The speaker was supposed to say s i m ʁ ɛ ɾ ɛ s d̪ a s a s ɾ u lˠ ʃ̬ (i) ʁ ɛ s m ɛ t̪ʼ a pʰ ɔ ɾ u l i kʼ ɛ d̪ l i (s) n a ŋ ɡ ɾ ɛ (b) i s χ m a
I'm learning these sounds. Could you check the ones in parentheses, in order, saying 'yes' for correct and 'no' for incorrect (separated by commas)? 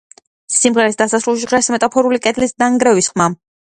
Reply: yes, yes, no